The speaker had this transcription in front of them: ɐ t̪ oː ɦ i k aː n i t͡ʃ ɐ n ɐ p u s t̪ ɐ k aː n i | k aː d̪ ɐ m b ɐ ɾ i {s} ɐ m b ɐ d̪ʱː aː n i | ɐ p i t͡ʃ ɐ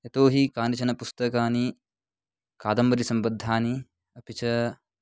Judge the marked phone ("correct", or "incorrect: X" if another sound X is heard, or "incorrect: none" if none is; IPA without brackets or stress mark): correct